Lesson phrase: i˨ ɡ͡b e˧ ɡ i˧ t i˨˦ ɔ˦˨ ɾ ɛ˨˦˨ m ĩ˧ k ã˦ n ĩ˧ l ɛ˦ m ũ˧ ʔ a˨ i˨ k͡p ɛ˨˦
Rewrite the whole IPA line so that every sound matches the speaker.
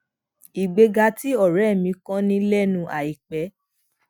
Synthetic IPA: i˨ ɡ͡b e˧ ɡ a˧ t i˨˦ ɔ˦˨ ɾ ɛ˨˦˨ m ĩ˧ k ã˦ n ĩ˧ l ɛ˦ n ũ˧ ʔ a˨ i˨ k͡p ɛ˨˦

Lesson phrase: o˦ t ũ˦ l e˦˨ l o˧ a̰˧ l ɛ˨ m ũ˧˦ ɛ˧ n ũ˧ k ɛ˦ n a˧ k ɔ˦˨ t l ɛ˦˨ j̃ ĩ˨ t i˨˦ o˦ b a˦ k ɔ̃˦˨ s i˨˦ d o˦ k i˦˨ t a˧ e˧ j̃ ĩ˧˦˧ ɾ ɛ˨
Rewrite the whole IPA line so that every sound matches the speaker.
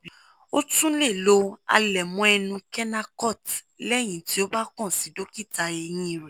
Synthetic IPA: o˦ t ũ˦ l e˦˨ l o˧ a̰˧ l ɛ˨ m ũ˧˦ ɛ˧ n ũ˧ k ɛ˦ n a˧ k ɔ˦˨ t l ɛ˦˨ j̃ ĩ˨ t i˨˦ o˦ b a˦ k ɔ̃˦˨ s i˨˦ d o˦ k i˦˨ t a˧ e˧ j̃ ĩ˧˦˧ ɾ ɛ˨

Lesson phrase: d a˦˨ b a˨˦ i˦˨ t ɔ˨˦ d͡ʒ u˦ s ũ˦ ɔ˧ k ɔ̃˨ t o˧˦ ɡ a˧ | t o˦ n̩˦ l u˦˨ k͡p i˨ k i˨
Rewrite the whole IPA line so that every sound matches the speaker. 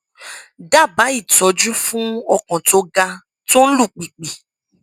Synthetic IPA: d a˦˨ b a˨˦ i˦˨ t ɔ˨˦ d͡ʒ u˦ f ũ˦ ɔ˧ k ɔ̃˨ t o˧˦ ɡ a˧ | t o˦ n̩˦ l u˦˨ k͡p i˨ k͡p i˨

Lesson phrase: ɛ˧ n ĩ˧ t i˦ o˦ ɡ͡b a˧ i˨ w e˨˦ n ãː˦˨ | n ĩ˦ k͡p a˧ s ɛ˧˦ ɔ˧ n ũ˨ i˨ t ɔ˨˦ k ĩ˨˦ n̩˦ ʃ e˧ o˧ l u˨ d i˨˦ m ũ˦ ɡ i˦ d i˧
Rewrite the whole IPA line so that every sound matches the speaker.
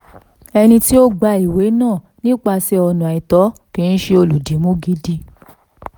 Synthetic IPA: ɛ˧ n ĩ˧ t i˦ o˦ ɡ͡b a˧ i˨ w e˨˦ n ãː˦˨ | n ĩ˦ k͡p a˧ s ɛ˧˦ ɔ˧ n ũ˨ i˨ t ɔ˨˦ k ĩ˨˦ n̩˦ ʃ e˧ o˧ l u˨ d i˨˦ m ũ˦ ɡ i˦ d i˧

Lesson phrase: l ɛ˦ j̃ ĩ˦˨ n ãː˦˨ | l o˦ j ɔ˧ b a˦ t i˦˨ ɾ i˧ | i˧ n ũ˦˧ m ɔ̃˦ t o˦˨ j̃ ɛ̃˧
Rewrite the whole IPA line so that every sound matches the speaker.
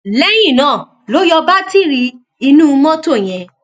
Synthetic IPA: l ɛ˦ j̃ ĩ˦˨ n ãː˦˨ | l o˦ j ɔ˧ b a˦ t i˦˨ ɾ i˧ | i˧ n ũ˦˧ m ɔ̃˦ t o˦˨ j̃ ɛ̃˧

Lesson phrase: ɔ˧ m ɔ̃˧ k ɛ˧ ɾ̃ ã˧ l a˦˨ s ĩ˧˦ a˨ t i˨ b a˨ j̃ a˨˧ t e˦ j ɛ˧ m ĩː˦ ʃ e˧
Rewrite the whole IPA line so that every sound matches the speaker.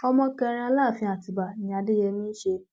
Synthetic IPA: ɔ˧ m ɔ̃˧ k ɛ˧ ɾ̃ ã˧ l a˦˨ f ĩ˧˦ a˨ t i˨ b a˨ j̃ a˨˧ d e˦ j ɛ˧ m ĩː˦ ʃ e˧

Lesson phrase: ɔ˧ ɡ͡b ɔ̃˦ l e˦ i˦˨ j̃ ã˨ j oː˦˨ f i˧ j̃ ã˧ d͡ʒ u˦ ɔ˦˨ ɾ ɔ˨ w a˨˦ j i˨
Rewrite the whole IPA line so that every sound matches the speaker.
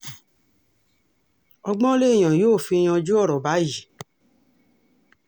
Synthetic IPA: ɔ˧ ɡ͡b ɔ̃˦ l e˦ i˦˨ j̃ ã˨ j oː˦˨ f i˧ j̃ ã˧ d͡ʒ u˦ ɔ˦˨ ɾ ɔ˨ b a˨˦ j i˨

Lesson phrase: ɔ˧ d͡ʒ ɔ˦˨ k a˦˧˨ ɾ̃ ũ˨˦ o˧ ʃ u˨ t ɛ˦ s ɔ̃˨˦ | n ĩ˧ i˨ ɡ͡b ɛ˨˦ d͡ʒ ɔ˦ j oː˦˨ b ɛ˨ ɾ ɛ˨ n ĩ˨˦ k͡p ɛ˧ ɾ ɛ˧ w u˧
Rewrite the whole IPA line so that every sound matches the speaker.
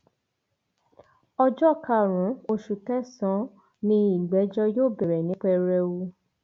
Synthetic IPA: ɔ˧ d͡ʒ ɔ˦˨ k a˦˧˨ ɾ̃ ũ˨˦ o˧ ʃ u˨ t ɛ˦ s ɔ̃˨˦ | n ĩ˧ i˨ ɡ͡b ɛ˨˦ d͡ʒ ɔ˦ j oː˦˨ b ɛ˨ ɾ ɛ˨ n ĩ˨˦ k͡p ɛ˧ ɾ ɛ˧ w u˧

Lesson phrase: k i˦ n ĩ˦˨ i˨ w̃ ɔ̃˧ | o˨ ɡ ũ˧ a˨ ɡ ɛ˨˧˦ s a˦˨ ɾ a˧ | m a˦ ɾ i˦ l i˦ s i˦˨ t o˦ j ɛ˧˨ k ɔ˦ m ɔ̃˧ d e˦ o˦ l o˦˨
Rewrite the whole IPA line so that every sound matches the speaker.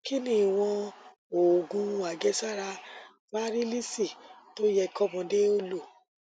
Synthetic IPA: k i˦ n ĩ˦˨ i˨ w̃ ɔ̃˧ | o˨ ɡ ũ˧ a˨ ɡ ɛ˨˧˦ s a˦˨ ɾ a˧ | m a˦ ɾ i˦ l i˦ s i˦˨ t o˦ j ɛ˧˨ k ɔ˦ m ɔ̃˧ d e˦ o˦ l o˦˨

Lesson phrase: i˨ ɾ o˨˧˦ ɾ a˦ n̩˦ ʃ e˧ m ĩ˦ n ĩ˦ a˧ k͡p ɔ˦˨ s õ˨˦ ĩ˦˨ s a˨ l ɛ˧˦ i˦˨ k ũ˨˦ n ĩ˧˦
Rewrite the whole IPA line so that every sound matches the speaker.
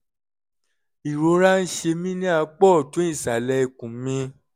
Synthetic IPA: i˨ ɾ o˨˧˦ ɾ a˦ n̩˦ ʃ e˧ m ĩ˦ n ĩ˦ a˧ k͡p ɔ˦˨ t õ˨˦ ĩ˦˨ s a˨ l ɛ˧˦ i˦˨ k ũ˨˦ m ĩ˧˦

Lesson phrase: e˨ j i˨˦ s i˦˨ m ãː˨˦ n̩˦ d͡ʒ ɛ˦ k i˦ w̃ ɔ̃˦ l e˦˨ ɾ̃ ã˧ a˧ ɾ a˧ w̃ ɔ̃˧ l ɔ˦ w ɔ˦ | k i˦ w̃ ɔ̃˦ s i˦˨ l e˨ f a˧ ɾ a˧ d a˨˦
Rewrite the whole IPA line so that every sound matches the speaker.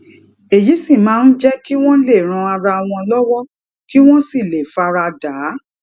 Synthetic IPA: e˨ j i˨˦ s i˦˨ m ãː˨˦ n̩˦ d͡ʒ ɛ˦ k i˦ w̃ ɔ̃˦ l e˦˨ ɾ̃ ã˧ a˧ ɾ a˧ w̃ ɔ̃˧ l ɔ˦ w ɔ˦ | k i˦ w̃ ɔ̃˦ s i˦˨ l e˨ f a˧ ɾ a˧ d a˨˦

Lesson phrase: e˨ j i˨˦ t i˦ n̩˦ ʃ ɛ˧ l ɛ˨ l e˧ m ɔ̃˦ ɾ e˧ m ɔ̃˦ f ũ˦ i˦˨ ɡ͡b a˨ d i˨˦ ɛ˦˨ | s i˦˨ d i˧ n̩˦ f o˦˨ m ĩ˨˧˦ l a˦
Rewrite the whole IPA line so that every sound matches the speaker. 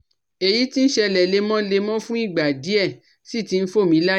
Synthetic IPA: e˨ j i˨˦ t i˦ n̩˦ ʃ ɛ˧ l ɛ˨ l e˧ m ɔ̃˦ l e˧ m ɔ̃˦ f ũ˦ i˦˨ ɡ͡b a˨ d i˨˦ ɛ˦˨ | s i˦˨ t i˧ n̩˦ f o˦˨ m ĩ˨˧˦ l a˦

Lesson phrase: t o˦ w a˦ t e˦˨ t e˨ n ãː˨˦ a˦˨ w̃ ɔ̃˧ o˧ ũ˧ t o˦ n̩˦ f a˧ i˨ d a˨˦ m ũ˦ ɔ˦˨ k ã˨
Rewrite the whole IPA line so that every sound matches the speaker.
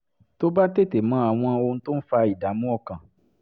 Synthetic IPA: t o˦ b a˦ t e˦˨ t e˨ m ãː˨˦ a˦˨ w̃ ɔ̃˧ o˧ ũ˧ t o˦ n̩˦ f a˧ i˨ d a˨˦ m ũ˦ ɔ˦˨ k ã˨

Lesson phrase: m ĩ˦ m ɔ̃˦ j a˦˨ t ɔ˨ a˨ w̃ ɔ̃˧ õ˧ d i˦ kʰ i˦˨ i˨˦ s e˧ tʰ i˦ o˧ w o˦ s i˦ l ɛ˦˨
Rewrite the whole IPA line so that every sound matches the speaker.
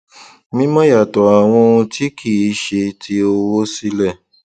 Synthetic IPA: m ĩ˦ m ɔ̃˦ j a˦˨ t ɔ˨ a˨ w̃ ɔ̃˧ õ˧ t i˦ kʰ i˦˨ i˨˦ ʃ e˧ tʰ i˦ o˧ w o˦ s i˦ l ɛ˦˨

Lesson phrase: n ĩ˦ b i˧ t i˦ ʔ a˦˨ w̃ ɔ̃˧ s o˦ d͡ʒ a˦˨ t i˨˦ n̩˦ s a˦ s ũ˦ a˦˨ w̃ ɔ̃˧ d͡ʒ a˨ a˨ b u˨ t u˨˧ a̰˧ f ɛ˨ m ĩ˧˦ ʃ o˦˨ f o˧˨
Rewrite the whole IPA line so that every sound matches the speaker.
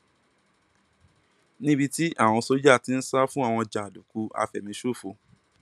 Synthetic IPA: n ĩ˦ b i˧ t i˦ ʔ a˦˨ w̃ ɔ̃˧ s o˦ d͡ʒ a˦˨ t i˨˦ n̩˦ s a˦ f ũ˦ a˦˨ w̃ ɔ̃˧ d͡ʒ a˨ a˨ d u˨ k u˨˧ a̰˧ f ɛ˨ m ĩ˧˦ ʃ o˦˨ f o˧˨

